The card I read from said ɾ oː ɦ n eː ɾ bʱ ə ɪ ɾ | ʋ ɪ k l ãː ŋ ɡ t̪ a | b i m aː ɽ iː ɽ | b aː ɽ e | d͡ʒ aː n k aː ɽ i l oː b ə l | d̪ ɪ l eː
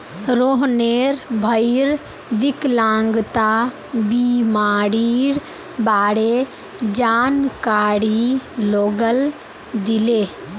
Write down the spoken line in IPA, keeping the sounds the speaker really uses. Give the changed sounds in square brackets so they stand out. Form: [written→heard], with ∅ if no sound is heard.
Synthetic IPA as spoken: ɾ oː ɦ n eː ɾ bʱ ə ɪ ɾ | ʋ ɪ k l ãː ŋ ɡ t̪ a | b i m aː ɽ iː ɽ | b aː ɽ e | d͡ʒ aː n k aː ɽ i l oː [b→ɡ] ə l | d̪ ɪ l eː